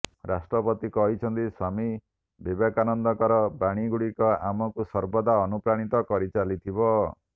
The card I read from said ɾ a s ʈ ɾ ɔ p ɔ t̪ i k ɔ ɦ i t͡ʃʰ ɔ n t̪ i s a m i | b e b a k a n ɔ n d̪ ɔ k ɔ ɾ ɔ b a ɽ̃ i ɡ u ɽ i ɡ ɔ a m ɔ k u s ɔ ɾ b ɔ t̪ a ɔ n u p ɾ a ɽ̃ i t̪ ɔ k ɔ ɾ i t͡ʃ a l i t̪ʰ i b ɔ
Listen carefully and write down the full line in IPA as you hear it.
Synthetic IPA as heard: ɾ a s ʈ ɾ ɔ p ɔ t̪ i k ɔ ɦ i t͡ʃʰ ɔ n t̪ i s a m i | b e b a k a n ɔ n d̪ ɔ k ɔ ɾ ɔ b a ɽ̃ i ɡ u ɽ i k ɔ a m ɔ k u s ɔ ɾ b ɔ d̪ a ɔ n u p ɾ a ɽ̃ i t̪ ɔ k ɔ ɾ i t͡ʃ a l i t̪ʰ i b ɔ

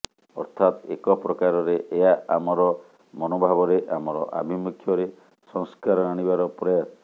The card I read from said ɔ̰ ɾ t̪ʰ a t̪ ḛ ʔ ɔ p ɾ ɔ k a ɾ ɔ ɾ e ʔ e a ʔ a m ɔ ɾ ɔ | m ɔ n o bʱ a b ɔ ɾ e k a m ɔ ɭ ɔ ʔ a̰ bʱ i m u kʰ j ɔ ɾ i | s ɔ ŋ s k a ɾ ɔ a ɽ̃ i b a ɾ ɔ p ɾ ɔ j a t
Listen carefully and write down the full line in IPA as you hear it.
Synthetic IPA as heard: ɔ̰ ɾ t̪ʰ a t̪ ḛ k ɔ p ɾ ɔ k a ɾ ɔ ɾ e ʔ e a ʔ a m ɔ ɾ ɔ | m ɔ n o bʱ a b ɔ ɾ e ʔ a m ɔ ɾ ɔ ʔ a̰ bʱ i m u kʰ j ɔ ɾ e | s ɔ ŋ s k a ɾ ɔ a ɽ̃ i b a ɾ ɔ p ɾ ɔ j a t

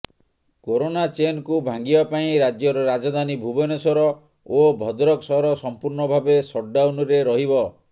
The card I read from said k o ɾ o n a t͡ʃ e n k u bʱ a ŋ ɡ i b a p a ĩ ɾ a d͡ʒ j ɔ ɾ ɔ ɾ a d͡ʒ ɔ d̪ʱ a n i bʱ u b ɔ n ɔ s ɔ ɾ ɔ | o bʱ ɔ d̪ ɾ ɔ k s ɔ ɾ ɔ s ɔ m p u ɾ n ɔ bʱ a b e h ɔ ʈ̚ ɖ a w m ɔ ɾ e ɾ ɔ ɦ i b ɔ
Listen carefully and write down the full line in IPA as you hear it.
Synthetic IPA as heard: k o ɾ o n a t͡ʃ e n k u bʱ a ŋ ɡ i b a p a ĩ ɾ a d͡ʒ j ɔ ɾ ɔ ɾ a d͡ʒ ɔ d̪ʱ a n i bʱ u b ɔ n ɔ s ɔ ɾ ɔ | o bʱ ɔ d̪ ɾ ɔ k s ɔ ɾ ɔ s ɔ m p u ɾ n ɔ bʱ a b e s ɔ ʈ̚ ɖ a w n ɔ ɾ e ɾ ɔ ɦ i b ɔ

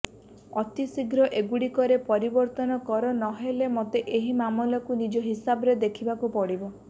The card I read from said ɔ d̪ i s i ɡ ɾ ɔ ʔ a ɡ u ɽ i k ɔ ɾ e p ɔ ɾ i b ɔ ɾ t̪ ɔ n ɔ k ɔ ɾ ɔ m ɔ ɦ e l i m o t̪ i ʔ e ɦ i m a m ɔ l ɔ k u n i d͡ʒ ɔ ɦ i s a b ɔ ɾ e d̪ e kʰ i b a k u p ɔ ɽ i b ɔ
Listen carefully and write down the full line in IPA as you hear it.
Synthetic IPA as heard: ɔ t̪ i s i ɡ ɾ ɔ ʔ e ɡ u ɽ i k ɔ ɾ e p ɔ ɾ i b ɔ ɾ t̪ ɔ n ɔ k ɔ ɾ ɔ n ɔ ɦ e l e m o t̪ e ʔ e ɦ i m a m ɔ l ɔ k u n i d͡ʒ ɔ ɦ i s a b ɔ ɾ e d̪ e kʰ i b a k u p ɔ ɽ i b ɔ

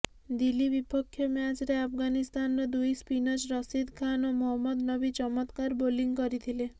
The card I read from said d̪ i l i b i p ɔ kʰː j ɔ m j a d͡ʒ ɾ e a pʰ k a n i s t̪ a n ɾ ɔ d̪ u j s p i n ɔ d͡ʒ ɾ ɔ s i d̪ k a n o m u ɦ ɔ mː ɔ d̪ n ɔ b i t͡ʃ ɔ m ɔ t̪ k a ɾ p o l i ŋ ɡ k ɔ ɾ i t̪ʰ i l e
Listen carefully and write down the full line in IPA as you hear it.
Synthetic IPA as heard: d̪ i l i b i p ɔ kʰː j ɔ m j a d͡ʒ ɾ e a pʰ ɡ a n i s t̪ a n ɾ ɔ d̪ u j s p i n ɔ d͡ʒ ɾ ɔ s i d̪ kʰ a n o m ɔ ɦ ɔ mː ɔ d̪ n ɔ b i t͡ʃ ɔ m ɔ t̪ k a ɾ b o l i ŋ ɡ k ɔ ɾ i t̪ʰ i l e

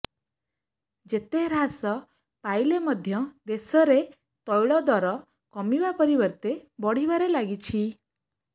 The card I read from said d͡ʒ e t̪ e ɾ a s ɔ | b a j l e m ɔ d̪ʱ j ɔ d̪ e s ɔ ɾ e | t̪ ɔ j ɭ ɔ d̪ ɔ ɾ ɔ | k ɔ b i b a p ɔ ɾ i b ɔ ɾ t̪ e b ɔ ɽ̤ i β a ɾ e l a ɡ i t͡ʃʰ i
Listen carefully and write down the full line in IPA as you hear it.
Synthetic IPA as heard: d͡ʒ e t̪ e ɾ a s ɔ | p a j l e m ɔ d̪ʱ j ɔ d̪ e s ɔ ɾ e | t̪ ɔ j ɭ ɔ d̪ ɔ ɾ ɔ | k ɔ m i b a p ɔ ɾ i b ɔ ɾ t̪ e b ɔ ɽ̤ i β a ɾ e l a ɡ i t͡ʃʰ i

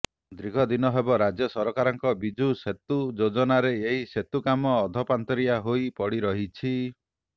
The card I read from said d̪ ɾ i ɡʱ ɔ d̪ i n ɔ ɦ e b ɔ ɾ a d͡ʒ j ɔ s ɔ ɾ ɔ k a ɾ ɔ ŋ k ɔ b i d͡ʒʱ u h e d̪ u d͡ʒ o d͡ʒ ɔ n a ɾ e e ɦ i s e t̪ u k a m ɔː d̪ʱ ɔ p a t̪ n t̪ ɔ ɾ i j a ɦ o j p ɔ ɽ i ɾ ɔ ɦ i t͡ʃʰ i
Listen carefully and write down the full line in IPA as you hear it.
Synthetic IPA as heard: d̪ ɾ i ɡʱ ɔ d̪ i n ɔ ɦ e b ɔ ɾ a d͡ʒ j ɔ s ɔ ɾ ɔ k a ɾ ɔ ŋ k ɔ b i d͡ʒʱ u s e t̪ u d͡ʒ o d͡ʒ ɔ n a ɾ e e ɦ i s e t̪ u k a m ɔː d̪ʱ ɔ p a n t̪ ɔ ɾ i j a ɦ o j p ɔ ɽ i ɾ ɔ ɦ i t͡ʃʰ i

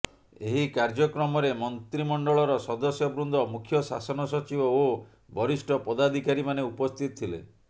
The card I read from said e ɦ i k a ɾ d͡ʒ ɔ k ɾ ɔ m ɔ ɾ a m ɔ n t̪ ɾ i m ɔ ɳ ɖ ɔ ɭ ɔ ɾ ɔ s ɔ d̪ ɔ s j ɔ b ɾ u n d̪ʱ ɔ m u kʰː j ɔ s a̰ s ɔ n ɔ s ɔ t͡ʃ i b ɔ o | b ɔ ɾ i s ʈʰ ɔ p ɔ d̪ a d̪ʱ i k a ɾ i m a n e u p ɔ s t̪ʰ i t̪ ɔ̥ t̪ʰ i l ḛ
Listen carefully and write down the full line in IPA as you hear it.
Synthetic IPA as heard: e ɦ i k a ɾ d͡ʒ ɔ k ɾ ɔ m ɔ ɾ e m ɔ n t̪ ɾ i m ɔ ɳ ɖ ɔ ɭ ɔ ɾ ɔ s ɔ d̪ ɔ s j ɔ b ɾ u n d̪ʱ ɔ m u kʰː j ɔ s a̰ s ɔ n ɔ s ɔ t͡ʃ i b ɔ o | b ɔ ɾ i s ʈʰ ɔ p ɔ d̪ a d̪ʱ i k a ɾ i m a n e u p ɔ s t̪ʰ i t̪ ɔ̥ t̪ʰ i l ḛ

